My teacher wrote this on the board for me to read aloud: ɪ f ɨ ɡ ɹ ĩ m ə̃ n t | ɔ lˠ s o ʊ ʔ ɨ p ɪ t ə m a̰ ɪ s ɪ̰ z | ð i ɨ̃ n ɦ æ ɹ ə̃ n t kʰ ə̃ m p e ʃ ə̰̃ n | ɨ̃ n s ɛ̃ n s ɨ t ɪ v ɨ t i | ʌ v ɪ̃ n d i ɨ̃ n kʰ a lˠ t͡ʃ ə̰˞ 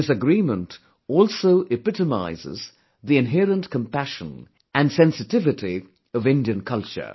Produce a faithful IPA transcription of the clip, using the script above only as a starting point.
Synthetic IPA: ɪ s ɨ ɡ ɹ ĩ m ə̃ n t | ɔ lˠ s o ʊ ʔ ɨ p ɪ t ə m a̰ ɪ z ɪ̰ z | ð i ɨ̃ n ɦ ɛ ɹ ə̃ n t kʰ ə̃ m p æ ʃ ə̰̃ n | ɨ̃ n s ɛ̃ n s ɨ t ɪ v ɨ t i | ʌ v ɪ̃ n d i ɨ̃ n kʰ ʌ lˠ t͡ʃ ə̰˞